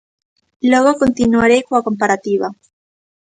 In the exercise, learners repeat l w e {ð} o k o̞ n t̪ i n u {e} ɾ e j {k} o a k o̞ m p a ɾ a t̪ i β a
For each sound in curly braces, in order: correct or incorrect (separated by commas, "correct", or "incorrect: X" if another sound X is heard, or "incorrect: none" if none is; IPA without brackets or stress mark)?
incorrect: ɣ, incorrect: a, correct